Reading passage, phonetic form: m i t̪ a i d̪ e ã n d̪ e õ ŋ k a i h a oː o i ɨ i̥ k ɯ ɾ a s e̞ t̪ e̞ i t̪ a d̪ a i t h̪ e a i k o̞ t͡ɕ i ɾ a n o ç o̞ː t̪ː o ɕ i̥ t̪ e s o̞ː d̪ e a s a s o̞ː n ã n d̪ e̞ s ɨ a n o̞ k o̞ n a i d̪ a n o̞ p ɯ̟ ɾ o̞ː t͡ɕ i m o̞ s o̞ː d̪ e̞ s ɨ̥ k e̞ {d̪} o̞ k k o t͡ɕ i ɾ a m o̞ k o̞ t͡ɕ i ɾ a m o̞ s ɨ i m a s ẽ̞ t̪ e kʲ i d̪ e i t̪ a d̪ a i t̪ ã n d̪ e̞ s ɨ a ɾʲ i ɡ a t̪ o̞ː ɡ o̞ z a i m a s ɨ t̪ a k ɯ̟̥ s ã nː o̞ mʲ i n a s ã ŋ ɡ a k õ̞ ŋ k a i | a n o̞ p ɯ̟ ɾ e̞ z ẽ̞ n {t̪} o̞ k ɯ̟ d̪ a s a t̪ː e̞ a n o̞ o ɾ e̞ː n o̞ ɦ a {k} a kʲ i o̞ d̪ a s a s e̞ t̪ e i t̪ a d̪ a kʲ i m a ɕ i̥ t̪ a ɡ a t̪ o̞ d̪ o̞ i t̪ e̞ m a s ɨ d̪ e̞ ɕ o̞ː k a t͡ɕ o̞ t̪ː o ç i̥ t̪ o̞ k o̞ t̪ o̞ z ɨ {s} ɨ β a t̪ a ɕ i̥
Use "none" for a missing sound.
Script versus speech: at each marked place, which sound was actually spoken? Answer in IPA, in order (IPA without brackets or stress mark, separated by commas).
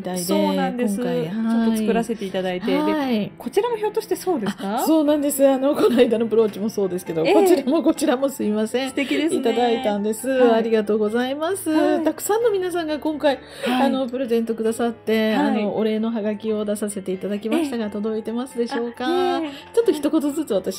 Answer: d̪, t̪, ɡ, t͡s